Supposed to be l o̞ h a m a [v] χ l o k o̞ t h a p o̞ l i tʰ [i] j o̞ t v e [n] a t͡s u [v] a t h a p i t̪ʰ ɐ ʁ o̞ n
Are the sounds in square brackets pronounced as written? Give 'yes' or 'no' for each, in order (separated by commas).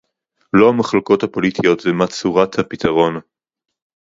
no, yes, no, no